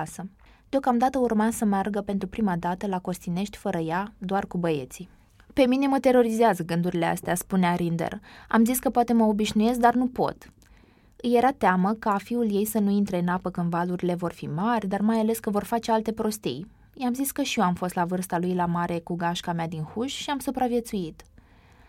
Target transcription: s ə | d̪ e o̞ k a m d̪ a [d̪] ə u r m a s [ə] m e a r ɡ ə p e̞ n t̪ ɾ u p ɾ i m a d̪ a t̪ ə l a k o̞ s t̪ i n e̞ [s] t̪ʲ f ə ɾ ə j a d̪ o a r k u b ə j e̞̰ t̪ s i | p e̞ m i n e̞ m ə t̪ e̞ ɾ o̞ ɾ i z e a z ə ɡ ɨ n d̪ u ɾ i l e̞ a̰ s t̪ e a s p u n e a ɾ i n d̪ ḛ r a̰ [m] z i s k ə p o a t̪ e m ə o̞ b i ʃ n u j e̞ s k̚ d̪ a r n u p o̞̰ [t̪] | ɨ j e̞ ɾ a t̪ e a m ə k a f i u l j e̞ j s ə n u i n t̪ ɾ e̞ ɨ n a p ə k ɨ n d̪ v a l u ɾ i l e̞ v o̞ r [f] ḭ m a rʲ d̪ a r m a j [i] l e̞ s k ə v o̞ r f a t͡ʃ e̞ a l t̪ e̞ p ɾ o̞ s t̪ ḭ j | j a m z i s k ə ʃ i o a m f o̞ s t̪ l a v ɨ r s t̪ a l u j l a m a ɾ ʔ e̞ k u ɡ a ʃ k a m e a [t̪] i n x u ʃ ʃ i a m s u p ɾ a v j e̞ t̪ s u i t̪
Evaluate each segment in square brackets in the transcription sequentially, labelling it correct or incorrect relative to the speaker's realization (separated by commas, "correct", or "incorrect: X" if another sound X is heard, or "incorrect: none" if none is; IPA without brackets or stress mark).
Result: incorrect: t̪, correct, incorrect: ʃ, correct, correct, correct, incorrect: a, incorrect: d̪